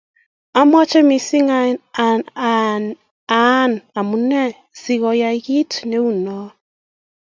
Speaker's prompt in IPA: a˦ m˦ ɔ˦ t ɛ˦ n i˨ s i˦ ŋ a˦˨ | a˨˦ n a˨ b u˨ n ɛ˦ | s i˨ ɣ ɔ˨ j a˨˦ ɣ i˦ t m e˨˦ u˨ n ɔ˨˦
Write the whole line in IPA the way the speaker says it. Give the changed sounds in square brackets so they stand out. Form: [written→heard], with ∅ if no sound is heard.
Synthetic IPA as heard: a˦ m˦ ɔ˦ [t→t͡ʃ] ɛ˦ [n→m] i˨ s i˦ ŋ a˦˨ | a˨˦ n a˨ [b→m] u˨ n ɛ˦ | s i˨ ɣ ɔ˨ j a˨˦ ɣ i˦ t [m→n] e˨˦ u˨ n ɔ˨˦